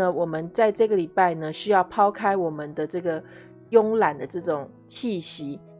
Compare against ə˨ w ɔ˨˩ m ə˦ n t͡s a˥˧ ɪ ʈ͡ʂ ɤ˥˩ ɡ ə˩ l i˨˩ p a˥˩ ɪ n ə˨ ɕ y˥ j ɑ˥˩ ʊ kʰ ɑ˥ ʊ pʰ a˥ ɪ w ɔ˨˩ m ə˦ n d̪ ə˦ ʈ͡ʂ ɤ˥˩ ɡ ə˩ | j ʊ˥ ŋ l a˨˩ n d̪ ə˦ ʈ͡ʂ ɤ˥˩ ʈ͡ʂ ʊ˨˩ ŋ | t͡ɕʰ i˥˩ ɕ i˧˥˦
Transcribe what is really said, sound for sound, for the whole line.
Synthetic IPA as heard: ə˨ w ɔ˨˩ m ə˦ n t͡s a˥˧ ɪ ʈ͡ʂ ɤ˥˩ ɡ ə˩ l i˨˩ p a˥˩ ɪ n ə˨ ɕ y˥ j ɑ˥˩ ʊ pʰ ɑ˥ ʊ kʰ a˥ ɪ w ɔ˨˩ m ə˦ n d̪ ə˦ ʈ͡ʂ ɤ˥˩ ɡ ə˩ | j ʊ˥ ŋ l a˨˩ n d̪ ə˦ ʈ͡ʂ ɤ˥˩ ʈ͡ʂ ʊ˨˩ ŋ | t͡ɕʰ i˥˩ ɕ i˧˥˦

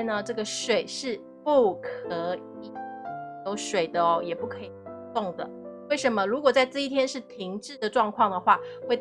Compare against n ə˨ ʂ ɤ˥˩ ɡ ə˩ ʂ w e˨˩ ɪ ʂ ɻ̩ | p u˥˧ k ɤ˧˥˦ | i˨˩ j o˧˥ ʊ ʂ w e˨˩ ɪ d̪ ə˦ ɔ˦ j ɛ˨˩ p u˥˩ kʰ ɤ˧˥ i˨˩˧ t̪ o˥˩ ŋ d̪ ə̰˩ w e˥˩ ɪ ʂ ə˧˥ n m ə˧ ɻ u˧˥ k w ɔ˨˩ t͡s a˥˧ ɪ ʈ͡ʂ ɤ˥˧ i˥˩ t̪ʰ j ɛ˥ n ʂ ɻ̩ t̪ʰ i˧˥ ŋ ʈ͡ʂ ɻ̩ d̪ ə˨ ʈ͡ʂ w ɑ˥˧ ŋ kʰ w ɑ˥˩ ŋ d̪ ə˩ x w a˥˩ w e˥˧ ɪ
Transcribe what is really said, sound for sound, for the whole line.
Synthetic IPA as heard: n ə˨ ʈ͡ʂ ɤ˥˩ ɡ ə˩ ʂ w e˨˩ ɪ ʂ ɻ̩ | p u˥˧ kʰ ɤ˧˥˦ | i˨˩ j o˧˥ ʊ ʂ w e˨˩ ɪ d̪ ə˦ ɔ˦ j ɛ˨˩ p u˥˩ kʰ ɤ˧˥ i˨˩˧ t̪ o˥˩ ŋ d̪ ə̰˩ w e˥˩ ɪ ʂ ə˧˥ n m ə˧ ɻ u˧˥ k w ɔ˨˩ t͡s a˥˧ ɪ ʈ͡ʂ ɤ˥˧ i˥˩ t̪ʰ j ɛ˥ n ʂ ɻ̩ t̪ʰ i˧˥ ŋ ʈ͡ʂ ɻ̩ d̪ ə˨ ʈ͡ʂ w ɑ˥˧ ŋ kʰ w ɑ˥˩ ŋ d̪ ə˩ x w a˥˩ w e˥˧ ɪ

